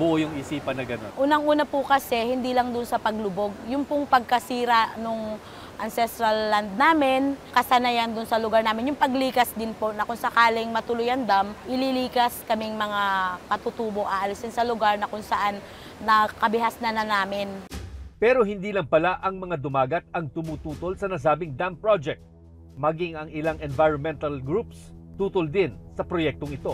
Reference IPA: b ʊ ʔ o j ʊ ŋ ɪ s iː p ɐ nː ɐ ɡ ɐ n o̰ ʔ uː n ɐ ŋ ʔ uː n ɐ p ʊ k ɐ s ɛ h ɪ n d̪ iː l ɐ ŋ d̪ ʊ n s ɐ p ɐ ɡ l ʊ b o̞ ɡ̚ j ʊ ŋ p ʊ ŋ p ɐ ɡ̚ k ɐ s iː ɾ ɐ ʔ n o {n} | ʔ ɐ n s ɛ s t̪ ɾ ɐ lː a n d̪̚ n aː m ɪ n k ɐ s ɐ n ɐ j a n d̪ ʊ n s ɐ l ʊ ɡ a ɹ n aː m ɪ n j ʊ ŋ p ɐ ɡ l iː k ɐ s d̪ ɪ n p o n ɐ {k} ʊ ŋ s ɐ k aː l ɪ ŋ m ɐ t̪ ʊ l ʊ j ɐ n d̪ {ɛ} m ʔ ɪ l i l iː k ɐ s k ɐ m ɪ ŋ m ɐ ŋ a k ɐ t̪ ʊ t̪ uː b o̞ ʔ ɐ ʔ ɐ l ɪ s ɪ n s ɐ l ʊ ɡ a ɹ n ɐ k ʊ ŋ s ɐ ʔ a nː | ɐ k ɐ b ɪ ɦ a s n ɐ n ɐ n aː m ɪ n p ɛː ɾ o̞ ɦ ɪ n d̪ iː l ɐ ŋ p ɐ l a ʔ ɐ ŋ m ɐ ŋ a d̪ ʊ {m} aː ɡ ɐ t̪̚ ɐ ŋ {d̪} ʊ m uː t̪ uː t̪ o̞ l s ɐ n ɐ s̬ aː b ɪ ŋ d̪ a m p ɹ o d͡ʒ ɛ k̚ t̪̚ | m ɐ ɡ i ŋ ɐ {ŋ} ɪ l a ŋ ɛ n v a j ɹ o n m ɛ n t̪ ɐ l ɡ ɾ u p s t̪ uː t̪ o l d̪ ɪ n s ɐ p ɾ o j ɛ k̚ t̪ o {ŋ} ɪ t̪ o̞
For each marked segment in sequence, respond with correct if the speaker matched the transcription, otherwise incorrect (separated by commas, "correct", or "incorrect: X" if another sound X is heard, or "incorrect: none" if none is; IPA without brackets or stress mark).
incorrect: ŋ, correct, incorrect: a, correct, incorrect: t̪, correct, correct